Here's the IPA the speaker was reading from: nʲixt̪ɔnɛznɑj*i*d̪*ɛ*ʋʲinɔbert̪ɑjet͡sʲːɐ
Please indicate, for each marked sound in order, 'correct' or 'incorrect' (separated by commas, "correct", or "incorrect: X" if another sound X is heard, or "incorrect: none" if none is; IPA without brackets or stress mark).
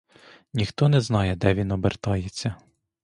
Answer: incorrect: ɛ, correct